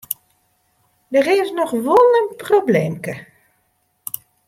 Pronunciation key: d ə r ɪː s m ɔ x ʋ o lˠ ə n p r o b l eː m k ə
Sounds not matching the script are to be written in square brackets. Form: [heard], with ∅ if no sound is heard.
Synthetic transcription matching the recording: d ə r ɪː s [n] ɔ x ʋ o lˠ ə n p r o b l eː m k ə

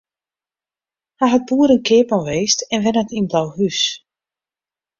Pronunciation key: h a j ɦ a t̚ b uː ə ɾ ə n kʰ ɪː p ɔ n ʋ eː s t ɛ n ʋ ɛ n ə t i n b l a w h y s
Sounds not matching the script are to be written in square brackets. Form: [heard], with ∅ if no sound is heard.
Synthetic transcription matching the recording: h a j ɦ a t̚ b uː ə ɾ ə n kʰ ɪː p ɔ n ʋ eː s t ɛ n ʋ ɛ n ə t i n b l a w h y s

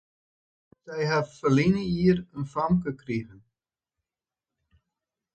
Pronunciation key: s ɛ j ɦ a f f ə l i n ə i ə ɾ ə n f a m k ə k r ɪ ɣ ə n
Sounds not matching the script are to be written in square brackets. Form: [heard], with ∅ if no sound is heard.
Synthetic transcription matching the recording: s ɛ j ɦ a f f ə l i n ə i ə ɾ ə n f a m k ə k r [i] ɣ ə n

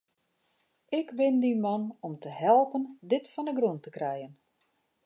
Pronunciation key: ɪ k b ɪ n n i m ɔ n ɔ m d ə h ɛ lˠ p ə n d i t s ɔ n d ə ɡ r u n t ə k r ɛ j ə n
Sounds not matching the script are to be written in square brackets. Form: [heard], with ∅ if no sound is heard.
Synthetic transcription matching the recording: ɪ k b ɪ n [d] i m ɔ n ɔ m [t] ə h ɛ lˠ p ə n d [ɪ] t [f] ɔ n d ə ɡ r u n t ə k r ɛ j ə n

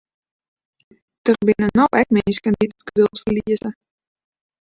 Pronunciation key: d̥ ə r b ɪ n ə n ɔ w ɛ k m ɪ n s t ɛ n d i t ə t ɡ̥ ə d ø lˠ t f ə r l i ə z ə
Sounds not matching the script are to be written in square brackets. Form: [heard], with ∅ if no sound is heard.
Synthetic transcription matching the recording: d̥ ə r b ɪ n ə n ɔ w ɛ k m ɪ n s [k] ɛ n d i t ə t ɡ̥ ə d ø lˠ t f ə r l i ə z ə

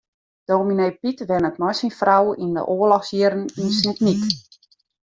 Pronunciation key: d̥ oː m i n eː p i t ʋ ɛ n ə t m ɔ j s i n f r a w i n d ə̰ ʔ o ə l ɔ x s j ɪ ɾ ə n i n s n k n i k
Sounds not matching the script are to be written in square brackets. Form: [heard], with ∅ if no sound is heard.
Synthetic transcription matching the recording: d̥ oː m i n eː p i t ʋ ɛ n ə t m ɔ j s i n f r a w i n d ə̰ ʔ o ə l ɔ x s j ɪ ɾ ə n i n s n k n i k

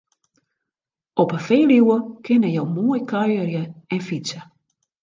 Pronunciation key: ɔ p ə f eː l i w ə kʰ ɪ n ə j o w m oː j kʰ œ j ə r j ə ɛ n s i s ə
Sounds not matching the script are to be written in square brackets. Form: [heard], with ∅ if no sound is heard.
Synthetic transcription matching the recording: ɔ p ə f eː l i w ə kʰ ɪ n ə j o w m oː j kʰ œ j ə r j ə ɛ n [f] i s ə

